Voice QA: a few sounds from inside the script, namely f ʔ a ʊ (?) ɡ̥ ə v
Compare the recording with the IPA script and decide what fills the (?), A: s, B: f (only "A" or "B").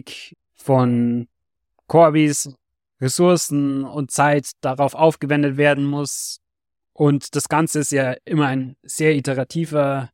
B